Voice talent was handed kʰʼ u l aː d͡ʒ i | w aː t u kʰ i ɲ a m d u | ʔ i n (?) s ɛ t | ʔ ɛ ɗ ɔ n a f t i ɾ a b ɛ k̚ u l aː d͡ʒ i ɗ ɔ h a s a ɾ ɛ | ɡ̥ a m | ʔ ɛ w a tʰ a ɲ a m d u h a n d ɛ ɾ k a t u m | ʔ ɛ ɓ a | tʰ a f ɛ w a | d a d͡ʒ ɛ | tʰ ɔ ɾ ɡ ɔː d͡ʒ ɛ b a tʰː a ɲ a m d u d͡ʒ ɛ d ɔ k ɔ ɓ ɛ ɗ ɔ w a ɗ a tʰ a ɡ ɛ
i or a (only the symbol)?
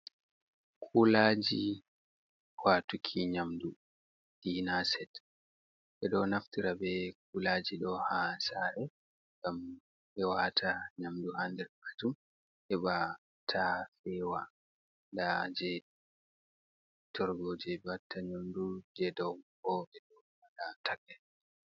a